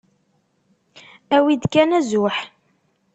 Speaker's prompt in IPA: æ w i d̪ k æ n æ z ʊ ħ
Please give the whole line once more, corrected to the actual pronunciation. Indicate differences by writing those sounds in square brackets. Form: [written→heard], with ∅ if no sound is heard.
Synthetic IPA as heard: æ w i d̪ k æ n æ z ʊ ħ